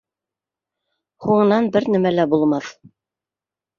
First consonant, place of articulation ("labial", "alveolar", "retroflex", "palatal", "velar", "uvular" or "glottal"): glottal